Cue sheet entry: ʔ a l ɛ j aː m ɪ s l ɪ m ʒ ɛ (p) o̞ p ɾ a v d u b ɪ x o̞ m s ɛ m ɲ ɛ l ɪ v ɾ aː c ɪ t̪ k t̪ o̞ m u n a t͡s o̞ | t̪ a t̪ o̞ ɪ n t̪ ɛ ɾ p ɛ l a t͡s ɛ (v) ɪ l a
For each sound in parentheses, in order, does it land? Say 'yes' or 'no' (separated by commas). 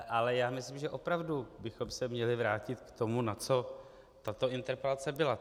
no, no